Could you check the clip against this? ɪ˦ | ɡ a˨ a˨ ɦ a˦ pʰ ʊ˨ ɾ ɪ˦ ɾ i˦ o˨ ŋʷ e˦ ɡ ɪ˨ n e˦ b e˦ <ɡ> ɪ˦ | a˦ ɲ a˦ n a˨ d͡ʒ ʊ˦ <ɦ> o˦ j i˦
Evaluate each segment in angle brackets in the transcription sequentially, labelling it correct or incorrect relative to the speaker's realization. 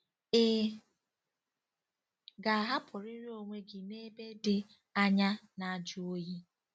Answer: incorrect, incorrect

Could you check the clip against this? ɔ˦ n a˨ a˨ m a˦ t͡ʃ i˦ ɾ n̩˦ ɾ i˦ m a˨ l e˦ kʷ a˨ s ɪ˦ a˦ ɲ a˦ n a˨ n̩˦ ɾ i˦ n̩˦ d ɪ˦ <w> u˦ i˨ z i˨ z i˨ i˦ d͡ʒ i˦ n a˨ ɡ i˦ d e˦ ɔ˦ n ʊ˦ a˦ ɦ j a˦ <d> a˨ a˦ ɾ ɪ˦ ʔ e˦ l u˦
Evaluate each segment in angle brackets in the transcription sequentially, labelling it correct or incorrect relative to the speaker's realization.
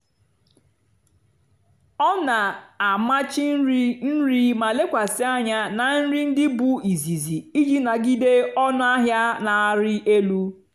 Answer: incorrect, incorrect

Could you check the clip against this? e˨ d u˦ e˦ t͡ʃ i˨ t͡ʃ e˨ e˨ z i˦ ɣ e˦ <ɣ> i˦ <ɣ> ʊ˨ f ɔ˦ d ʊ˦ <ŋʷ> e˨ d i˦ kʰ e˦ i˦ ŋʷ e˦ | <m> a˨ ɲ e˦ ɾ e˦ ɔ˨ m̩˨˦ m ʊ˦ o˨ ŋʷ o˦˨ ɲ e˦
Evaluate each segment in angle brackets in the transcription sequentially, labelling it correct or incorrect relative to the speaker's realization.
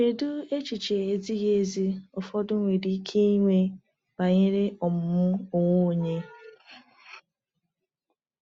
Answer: incorrect, incorrect, correct, incorrect

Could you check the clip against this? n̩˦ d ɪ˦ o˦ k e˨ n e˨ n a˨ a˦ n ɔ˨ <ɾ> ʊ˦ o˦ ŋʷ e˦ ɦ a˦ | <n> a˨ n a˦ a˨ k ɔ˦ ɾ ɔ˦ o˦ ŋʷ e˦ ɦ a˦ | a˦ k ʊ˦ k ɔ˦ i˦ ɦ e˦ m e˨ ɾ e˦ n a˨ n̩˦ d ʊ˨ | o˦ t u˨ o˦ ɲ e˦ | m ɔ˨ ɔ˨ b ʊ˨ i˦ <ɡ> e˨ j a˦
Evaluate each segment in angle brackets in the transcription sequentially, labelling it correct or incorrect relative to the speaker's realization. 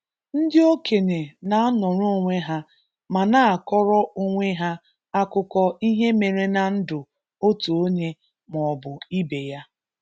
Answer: correct, incorrect, incorrect

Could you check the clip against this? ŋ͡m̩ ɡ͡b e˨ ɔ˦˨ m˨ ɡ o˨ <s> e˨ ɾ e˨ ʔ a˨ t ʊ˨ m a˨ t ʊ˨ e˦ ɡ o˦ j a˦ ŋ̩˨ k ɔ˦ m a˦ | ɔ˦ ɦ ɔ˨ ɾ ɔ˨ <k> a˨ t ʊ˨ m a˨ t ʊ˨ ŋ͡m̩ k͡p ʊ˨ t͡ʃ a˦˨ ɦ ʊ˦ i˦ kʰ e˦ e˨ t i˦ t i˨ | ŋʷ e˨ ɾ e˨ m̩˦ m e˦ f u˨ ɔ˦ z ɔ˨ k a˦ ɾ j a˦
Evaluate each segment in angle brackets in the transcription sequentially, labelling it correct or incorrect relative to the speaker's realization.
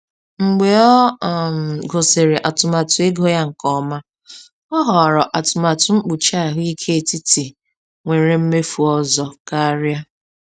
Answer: correct, incorrect

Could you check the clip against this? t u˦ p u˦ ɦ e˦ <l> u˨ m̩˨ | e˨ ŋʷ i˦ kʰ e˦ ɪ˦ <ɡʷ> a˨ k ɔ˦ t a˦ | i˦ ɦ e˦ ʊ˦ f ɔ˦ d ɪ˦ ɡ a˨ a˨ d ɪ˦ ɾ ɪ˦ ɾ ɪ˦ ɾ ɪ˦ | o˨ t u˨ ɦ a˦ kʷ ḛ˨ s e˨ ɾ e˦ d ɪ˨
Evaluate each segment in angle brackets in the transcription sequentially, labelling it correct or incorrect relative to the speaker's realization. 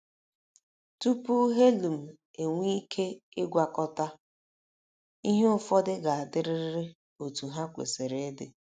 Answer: correct, correct

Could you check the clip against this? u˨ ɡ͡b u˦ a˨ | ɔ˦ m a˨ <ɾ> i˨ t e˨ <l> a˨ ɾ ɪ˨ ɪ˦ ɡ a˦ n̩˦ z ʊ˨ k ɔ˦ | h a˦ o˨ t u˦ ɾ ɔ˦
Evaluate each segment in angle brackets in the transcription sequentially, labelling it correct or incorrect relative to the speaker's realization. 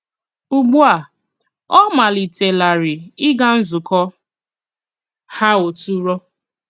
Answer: incorrect, correct

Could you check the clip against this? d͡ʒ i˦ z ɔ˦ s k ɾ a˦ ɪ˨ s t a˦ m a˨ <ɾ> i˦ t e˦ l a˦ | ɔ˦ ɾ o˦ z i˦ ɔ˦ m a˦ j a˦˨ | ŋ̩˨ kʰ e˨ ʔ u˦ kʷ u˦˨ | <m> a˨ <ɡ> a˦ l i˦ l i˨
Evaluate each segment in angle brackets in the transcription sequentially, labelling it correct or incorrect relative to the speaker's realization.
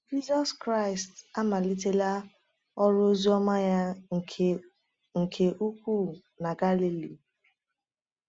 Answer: incorrect, incorrect, correct

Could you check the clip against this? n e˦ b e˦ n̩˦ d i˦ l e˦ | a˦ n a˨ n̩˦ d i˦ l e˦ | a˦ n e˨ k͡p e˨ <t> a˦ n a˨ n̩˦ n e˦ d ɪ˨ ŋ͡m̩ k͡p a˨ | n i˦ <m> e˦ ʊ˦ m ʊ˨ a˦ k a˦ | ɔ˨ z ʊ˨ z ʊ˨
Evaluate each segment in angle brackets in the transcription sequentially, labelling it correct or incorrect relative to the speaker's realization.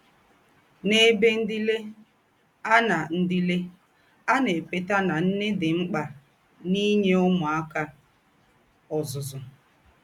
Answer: correct, incorrect

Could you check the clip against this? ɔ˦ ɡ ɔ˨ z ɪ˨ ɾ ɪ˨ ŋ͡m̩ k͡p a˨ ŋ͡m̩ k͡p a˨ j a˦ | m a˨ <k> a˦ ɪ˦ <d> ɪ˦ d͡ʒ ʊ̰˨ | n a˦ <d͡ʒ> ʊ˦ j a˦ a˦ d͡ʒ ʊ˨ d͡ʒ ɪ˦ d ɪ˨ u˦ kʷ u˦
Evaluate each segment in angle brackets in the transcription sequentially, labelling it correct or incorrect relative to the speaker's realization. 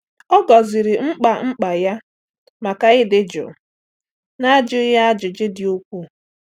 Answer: correct, correct, correct

